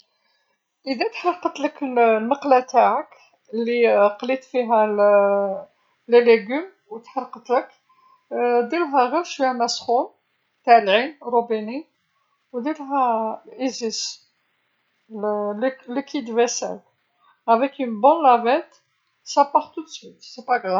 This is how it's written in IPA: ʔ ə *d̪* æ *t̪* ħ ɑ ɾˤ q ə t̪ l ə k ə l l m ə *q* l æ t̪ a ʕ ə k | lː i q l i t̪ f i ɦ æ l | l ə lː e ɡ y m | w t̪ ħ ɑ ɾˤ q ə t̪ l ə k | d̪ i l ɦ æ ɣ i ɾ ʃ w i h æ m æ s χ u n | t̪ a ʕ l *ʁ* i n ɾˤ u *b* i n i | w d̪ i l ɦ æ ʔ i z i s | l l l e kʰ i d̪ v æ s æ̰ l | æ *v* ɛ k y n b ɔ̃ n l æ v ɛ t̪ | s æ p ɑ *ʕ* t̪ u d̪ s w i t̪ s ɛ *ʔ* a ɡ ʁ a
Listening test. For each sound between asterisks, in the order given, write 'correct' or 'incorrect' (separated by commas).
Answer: correct, correct, correct, incorrect, correct, correct, incorrect, incorrect